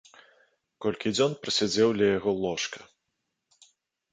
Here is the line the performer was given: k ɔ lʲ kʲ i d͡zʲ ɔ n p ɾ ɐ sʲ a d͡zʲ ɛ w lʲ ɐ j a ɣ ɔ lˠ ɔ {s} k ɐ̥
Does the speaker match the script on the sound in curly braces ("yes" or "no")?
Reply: no